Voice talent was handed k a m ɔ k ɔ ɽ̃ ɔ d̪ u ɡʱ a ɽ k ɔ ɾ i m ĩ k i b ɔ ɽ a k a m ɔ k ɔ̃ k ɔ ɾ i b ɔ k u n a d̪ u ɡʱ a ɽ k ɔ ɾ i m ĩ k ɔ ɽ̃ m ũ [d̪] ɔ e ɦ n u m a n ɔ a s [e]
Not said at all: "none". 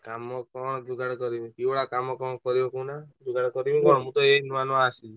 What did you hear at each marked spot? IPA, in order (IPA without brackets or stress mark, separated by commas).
t̪, i